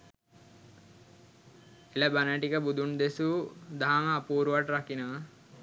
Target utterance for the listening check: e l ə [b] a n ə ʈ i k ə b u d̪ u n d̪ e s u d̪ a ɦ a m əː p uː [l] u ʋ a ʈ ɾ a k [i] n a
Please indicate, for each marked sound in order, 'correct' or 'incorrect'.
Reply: correct, incorrect, correct

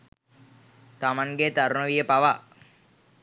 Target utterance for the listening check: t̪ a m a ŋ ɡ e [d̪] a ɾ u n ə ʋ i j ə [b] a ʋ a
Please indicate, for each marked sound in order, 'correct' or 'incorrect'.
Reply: incorrect, incorrect

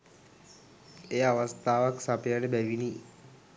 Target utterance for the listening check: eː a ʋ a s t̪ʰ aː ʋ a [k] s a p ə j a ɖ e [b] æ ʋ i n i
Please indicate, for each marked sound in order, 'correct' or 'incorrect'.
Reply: correct, correct

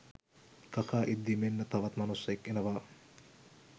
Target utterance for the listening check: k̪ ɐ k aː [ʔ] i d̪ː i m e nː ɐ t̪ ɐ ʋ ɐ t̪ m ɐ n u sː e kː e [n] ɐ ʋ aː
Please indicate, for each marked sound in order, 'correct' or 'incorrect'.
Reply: correct, correct

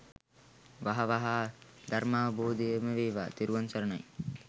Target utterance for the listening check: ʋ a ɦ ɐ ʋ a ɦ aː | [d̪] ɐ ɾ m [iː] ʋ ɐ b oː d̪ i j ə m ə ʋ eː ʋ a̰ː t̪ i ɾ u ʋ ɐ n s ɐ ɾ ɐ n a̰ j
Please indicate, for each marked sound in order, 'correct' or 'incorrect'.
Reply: correct, incorrect

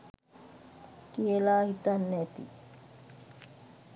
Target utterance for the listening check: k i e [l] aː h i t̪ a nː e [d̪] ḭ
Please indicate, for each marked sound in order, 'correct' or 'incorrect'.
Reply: correct, incorrect

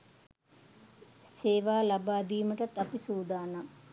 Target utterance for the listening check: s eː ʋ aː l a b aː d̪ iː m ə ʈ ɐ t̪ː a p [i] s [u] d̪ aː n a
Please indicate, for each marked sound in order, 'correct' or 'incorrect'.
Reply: correct, incorrect

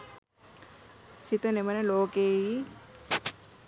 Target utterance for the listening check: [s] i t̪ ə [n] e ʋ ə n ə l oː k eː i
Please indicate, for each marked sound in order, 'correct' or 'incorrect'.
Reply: correct, correct

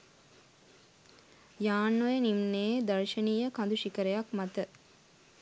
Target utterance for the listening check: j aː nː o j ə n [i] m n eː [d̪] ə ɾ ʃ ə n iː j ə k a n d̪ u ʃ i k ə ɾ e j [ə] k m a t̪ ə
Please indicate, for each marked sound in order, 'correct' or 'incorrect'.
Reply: correct, correct, incorrect

